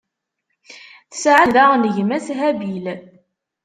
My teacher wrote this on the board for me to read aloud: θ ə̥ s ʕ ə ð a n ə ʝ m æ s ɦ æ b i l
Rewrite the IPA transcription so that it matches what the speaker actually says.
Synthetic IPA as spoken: θ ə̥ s ʕ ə ð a n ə ʝ m æ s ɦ æ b i l